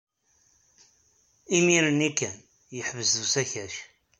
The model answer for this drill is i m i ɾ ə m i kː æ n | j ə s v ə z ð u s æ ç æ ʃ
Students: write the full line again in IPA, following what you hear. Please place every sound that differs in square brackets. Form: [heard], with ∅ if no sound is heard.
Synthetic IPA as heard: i m i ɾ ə [n] i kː æ n | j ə [ħ] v ə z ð u s æ ç æ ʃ